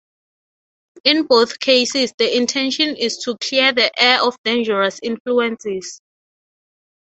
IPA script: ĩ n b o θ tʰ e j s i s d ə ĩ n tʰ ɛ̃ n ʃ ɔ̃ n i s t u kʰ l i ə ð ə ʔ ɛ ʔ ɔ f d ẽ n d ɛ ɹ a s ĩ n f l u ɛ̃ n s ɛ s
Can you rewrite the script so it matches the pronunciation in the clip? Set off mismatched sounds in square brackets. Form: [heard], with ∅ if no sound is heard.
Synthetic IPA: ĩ n b o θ [kʰ] e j s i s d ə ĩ n tʰ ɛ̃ n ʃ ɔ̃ n i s [tʰ] u kʰ l i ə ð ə ʔ ɛ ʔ ɔ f d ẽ n [d͡ʒ] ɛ ɹ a s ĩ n f l u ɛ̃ n s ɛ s